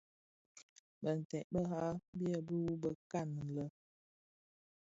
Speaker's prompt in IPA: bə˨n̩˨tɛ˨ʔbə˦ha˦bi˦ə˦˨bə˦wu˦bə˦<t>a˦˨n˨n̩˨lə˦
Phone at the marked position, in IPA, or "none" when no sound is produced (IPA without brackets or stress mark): k